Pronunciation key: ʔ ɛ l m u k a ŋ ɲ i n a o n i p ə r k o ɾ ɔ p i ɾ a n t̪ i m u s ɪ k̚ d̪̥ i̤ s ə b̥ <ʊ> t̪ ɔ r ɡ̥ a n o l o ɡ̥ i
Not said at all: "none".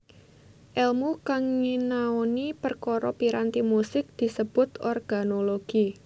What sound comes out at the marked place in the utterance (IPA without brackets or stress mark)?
ʊ